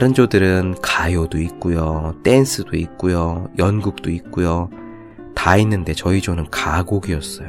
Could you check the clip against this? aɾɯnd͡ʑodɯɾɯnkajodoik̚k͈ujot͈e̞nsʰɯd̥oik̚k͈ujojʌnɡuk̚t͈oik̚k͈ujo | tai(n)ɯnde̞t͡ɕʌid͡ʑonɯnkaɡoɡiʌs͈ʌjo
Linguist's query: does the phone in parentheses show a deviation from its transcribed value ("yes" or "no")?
yes